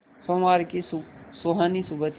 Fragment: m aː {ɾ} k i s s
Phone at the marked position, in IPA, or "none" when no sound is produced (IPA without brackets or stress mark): ɾ